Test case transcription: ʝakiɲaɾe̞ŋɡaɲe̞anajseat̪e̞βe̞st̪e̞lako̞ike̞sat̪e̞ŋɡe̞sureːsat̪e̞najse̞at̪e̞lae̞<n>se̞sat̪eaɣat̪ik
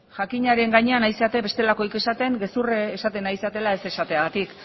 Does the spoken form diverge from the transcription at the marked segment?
yes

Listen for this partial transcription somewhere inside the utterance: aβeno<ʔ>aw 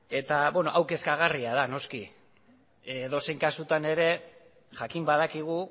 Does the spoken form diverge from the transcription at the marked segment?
no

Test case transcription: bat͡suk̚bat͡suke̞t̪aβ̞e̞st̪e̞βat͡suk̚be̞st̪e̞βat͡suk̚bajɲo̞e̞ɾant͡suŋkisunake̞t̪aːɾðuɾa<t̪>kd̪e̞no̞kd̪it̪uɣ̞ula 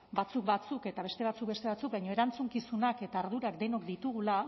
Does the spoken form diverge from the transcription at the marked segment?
yes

